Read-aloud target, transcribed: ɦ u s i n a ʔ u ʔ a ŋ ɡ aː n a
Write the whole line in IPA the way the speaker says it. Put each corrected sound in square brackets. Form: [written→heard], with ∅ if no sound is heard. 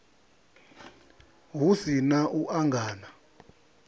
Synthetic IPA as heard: ɦ u s i n a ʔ u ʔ a ŋ ɡ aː n a

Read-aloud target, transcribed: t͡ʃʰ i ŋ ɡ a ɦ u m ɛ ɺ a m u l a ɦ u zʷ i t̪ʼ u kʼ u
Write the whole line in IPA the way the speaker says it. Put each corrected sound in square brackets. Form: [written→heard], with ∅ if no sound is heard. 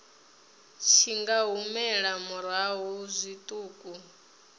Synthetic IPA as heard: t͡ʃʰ i ŋ ɡ a ɦ u m ɛ ɺ a m u [l→ɾ] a ɦ u zʷ i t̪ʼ [u→uː] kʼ u

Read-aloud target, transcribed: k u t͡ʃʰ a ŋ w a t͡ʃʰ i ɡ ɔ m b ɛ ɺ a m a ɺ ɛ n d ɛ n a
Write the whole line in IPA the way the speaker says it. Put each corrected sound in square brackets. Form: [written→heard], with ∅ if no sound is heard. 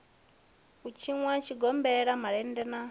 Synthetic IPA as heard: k u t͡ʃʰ [a→i] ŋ w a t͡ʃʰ i ɡ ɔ m b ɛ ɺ a m a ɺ ɛ n d ɛ n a

